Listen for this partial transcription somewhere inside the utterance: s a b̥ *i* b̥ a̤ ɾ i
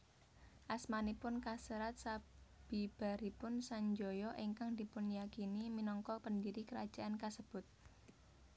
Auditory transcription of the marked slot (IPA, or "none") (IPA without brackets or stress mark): i